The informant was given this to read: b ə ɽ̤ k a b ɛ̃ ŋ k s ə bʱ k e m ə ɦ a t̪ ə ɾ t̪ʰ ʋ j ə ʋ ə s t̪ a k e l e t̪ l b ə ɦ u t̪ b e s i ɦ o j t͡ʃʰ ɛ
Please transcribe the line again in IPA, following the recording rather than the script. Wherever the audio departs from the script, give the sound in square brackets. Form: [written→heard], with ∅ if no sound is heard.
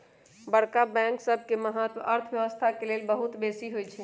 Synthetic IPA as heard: b ə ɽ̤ k a b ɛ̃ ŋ k s ə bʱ k e m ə ɦ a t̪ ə ɾ t̪ʰ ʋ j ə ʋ ə s [t̪→t̪ʰ] a k e l e [t̪→∅] l b ə ɦ u t̪ b e s i ɦ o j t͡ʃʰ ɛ